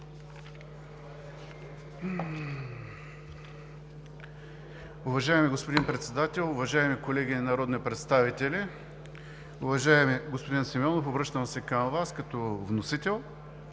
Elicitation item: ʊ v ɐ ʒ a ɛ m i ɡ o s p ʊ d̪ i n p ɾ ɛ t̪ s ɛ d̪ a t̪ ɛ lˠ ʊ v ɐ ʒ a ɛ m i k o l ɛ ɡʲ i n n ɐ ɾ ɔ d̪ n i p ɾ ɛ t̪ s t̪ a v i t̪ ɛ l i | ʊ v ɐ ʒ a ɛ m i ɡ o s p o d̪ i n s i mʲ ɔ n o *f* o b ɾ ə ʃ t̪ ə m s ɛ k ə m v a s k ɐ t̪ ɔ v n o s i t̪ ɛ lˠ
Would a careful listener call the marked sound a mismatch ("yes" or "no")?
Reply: no